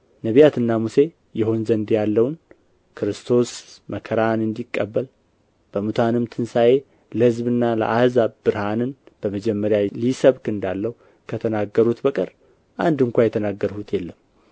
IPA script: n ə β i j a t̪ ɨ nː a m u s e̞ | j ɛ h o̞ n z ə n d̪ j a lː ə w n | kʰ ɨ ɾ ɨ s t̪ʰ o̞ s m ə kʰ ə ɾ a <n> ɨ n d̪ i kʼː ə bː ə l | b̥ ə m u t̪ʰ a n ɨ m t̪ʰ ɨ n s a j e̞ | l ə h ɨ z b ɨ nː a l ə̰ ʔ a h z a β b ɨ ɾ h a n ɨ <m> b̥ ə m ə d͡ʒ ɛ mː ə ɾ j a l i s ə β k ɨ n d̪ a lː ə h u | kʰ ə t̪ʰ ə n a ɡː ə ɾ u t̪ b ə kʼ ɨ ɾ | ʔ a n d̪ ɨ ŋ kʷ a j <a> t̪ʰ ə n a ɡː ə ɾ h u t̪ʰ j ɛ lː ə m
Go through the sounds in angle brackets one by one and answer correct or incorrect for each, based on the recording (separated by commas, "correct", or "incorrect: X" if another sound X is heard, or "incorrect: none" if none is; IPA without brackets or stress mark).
correct, incorrect: n, incorrect: ɛ